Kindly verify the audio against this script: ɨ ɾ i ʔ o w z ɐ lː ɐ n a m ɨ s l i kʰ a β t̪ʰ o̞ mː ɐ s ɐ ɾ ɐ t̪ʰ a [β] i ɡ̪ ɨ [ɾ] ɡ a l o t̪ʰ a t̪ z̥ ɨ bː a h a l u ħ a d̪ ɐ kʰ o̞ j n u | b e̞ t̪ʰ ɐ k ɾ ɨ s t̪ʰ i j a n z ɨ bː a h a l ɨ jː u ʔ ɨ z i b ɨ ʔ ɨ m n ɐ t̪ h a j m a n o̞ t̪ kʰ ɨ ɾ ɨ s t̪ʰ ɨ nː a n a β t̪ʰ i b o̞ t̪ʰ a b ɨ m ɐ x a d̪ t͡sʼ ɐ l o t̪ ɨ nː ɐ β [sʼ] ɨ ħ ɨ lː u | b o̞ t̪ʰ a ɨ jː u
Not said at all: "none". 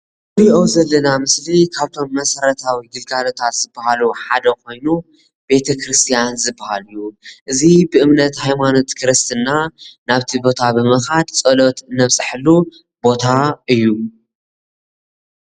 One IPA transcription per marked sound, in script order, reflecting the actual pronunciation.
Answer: w, l, sʼ

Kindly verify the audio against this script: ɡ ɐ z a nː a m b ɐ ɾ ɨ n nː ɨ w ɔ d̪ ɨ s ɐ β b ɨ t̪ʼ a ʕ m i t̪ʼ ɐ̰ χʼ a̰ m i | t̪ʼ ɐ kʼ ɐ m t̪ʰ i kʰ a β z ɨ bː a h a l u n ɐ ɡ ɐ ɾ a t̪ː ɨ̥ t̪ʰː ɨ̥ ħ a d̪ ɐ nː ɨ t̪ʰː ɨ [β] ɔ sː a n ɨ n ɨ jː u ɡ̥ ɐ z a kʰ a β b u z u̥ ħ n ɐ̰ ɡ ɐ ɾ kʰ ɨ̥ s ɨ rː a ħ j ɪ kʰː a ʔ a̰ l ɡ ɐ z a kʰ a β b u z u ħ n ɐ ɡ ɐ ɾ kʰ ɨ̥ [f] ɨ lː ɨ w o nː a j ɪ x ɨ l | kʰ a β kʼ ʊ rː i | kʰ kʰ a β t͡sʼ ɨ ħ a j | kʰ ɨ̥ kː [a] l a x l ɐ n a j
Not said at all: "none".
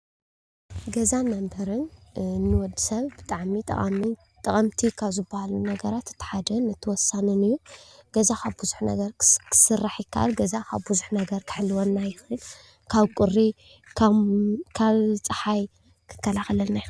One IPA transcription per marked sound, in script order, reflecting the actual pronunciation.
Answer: w, ħ, ɐ

